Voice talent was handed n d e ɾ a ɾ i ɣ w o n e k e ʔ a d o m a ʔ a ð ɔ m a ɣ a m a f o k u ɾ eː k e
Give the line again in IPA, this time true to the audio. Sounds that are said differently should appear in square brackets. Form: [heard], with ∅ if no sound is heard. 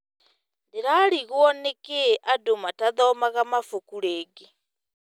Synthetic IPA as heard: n d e ɾ a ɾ i ɣ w [ɔ] n e k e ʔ a d o m a [t] a ð ɔ m a ɣ a m a f o k u ɾ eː [ɡ] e